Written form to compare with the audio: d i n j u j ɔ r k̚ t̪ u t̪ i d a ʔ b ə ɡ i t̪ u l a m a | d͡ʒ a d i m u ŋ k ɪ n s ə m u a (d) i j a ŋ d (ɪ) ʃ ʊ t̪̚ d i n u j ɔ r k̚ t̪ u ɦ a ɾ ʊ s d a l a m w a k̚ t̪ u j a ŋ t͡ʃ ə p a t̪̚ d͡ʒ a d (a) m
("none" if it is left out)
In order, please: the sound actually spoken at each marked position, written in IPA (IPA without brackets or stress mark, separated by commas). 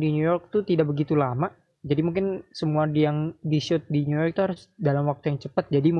d, i, i